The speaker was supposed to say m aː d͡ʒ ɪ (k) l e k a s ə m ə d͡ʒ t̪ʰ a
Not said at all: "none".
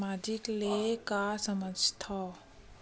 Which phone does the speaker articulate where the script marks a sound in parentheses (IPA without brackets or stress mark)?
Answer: k